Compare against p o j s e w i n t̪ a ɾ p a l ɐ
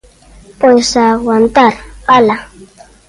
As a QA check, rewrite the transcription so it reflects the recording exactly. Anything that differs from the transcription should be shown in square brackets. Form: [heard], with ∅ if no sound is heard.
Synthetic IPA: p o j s [a] w [a] n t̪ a ɾ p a l [a]